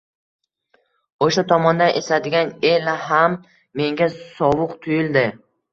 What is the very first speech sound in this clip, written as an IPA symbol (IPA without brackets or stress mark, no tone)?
o